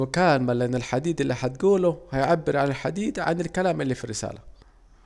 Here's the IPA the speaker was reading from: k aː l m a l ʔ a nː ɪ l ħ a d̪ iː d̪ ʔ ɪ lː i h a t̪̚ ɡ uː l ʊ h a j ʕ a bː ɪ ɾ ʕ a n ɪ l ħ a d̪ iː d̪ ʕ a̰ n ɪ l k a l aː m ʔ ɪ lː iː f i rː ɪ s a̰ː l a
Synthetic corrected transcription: k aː l m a l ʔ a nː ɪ l ħ a d̪ iː d̪ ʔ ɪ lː i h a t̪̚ ɡ uː l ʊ h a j ʕ a bː ɪ ɾ ʕ a n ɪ l ħ a d̪ iː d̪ ʕ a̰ n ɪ l k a l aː m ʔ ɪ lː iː f i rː ɪ s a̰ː l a